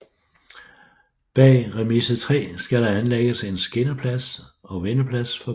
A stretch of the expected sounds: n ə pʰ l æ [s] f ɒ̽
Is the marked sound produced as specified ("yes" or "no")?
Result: yes